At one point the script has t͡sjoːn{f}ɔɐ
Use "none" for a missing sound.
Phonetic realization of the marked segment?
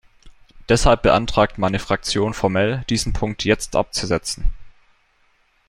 f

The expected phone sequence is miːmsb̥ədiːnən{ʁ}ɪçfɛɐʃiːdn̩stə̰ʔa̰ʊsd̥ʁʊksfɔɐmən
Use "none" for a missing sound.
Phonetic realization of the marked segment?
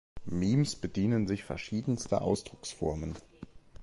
z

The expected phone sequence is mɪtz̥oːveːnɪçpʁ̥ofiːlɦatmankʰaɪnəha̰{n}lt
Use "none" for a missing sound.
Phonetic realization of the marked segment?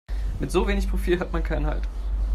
none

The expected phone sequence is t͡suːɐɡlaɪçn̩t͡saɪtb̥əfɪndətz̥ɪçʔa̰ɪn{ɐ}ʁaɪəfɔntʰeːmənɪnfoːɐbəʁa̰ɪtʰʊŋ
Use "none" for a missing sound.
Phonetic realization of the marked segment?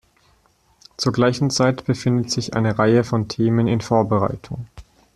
ə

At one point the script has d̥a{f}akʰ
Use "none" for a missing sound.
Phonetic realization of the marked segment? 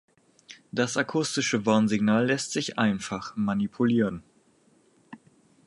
s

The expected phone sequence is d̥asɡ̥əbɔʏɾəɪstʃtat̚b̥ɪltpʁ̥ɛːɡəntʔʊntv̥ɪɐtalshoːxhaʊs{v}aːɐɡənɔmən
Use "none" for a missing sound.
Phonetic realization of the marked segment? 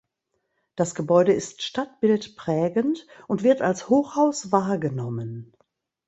v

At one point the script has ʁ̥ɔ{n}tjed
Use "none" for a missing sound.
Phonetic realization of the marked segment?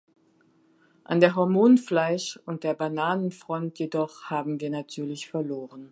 n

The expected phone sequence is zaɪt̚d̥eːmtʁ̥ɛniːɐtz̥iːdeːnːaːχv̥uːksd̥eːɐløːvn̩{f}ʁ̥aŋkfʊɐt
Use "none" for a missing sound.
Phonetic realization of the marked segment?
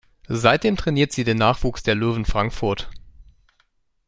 f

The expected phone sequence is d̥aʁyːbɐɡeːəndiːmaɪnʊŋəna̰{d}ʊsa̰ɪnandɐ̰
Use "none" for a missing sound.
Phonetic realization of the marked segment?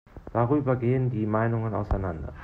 none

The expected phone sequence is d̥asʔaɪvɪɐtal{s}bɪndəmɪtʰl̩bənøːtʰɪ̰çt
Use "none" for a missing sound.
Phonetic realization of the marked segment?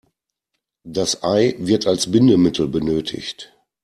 s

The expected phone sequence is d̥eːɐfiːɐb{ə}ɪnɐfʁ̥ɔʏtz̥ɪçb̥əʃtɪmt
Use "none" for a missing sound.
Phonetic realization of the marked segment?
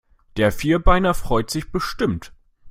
a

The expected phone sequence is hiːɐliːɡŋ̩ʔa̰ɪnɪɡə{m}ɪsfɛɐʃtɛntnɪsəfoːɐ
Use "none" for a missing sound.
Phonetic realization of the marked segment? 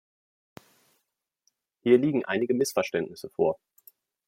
m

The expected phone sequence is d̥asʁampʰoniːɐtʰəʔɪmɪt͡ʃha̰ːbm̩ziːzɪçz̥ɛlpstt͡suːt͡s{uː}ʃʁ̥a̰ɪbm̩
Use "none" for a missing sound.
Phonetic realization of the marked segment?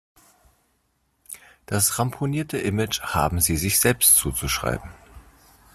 u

